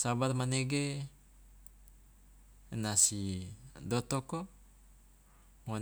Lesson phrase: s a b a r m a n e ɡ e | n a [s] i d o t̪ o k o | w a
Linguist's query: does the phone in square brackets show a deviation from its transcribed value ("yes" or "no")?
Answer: no